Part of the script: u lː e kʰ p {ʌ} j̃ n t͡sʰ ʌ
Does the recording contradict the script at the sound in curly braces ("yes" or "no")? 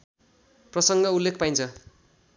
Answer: yes